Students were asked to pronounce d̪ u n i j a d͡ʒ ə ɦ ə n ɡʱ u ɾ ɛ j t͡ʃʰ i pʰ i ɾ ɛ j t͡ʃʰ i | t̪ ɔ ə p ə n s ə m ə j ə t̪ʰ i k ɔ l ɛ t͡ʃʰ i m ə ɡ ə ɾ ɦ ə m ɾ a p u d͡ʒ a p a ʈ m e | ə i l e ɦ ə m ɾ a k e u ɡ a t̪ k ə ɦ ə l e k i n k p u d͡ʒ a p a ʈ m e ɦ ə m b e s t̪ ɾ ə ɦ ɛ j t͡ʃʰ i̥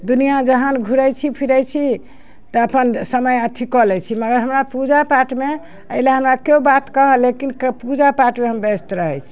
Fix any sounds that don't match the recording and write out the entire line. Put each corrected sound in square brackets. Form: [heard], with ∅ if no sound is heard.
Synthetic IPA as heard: d̪ u n i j a d͡ʒ ə ɦ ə n ɡʱ u ɾ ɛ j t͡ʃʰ i pʰ i ɾ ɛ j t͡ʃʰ i | t̪ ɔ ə p ə n s ə m ə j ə t̪ʰ i k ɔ l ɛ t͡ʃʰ i m ə ɡ ə ɾ ɦ ə m ɾ a p u d͡ʒ a p a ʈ m e | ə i l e ɦ ə m ɾ a k e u [b] a t̪ k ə ɦ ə l e k i n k p u d͡ʒ a p a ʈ m e ɦ ə m b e s t̪ ɾ ə ɦ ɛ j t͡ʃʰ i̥